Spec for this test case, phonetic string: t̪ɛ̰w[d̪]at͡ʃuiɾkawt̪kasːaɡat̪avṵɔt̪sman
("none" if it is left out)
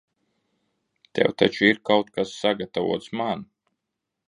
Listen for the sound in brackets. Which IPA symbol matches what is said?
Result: t̪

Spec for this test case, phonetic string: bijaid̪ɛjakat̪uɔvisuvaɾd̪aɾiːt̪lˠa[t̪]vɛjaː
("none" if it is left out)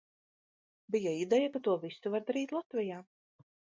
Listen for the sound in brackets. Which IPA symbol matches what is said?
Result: t̪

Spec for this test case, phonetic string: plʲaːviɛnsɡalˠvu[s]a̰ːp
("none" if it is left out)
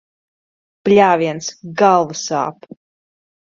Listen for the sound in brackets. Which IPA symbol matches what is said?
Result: s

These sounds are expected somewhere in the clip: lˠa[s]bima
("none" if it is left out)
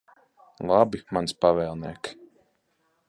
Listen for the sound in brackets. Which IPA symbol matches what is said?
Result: none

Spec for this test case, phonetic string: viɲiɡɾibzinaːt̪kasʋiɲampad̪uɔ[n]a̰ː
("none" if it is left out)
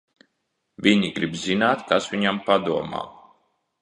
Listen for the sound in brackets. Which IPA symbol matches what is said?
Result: m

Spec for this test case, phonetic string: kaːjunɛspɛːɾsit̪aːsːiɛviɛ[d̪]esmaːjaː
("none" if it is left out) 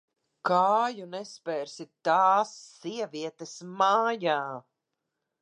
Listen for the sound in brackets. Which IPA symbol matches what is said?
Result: t̪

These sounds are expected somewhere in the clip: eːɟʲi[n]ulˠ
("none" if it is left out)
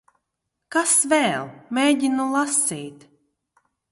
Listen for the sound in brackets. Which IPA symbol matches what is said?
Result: n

